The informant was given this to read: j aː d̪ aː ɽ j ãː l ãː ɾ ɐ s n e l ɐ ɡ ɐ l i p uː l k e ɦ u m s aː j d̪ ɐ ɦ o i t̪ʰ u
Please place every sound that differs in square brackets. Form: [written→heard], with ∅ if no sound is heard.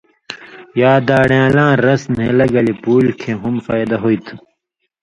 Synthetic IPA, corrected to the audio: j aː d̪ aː ɽ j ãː l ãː ɾ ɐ s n e l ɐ ɡ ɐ l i p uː l [k→kʰ] e ɦ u m [s→f] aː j d̪ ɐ ɦ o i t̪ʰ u